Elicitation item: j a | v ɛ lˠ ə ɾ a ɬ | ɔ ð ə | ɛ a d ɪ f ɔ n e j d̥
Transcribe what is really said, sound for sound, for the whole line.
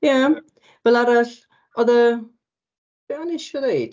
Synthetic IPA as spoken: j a | v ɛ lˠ a ɾ a ɬ | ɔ ð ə | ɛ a n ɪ ʃ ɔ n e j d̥